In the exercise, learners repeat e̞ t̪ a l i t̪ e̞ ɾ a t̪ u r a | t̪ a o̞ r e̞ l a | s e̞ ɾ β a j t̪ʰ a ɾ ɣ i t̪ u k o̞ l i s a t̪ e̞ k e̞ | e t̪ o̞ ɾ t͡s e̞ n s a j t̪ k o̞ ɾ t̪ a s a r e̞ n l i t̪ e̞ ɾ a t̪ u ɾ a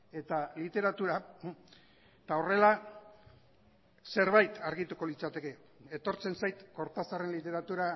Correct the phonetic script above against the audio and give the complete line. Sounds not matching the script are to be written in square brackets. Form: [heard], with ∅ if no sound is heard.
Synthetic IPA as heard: e̞ t̪ a l i t̪ e̞ ɾ a t̪ u [ɾ] a | t̪ a o̞ r e̞ l a | s e̞ ɾ β a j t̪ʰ a ɾ ɣ i t̪ u k o̞ l i [t͡s] a t̪ e̞ k e̞ | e t̪ o̞ ɾ t͡s e̞ n s a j t̪ k o̞ ɾ t̪ a s a r e̞ n l i t̪ e̞ ɾ a t̪ u ɾ a